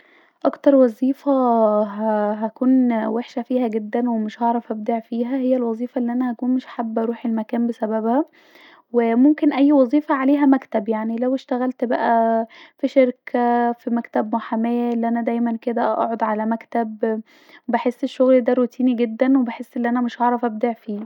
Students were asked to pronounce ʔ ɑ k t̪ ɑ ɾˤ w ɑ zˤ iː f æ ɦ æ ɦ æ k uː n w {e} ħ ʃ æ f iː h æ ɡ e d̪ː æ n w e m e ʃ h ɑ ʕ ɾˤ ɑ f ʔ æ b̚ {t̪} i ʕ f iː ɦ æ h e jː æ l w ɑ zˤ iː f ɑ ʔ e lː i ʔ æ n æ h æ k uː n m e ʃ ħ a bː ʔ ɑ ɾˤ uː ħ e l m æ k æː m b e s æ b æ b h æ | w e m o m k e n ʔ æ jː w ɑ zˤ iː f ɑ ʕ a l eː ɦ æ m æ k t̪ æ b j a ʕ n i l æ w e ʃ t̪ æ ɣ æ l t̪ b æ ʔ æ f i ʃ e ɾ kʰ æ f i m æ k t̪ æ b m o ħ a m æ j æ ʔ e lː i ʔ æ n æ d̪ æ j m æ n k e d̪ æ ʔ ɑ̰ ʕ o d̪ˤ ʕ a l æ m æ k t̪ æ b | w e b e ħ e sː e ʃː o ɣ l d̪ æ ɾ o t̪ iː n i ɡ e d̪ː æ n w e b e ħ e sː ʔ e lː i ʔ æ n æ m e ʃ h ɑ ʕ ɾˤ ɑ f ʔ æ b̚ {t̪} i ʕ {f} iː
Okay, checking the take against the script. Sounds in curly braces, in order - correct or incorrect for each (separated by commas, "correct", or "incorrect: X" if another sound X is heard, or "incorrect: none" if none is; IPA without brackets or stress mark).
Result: correct, incorrect: d̪, incorrect: d̪, correct